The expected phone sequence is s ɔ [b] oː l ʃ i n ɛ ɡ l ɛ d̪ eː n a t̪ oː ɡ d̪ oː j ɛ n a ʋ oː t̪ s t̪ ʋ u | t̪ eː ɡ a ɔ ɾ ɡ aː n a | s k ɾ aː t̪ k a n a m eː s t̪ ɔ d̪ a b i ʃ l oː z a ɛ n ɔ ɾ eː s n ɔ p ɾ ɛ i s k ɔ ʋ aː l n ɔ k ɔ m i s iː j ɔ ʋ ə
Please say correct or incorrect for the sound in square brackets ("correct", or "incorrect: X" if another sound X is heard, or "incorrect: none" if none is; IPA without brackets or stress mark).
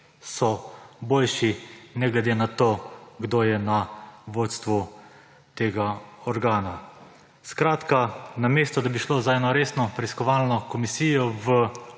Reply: correct